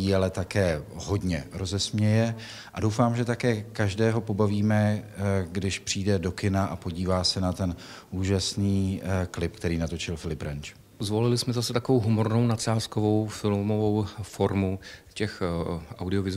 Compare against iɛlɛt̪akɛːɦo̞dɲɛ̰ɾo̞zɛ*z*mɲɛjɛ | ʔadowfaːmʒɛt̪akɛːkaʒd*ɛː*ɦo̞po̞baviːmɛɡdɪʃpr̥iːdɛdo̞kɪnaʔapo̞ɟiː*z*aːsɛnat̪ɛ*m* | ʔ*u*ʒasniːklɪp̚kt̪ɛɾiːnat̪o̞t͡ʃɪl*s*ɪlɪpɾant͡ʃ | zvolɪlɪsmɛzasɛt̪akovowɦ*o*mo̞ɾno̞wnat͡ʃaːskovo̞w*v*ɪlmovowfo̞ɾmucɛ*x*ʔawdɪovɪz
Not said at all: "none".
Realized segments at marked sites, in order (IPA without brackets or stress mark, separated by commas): s, ɛː, v, n, uː, f, u, f, x